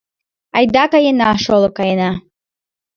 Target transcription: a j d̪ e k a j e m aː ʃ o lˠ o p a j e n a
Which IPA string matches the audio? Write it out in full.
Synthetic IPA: a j d̪ a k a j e n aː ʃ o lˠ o k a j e n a